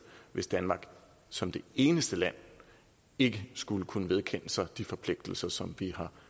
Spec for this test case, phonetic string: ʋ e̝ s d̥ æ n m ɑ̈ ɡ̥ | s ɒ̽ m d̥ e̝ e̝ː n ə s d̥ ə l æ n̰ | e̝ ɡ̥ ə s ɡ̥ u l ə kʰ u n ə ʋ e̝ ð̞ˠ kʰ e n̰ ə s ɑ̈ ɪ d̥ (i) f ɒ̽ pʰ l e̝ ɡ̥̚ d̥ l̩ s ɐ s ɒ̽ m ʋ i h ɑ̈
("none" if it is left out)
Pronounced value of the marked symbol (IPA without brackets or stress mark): i